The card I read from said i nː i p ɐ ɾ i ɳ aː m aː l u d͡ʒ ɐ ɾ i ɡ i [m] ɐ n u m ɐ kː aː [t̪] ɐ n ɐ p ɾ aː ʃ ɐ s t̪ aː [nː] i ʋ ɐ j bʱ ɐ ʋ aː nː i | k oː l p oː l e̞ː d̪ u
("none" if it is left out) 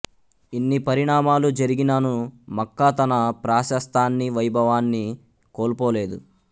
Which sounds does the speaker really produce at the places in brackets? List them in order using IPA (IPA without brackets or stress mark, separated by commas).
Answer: n, t̪, nː